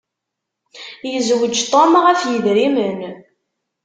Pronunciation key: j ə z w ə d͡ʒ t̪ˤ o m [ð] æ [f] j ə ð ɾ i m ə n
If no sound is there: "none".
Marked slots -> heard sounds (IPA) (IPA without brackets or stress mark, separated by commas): ʁ, f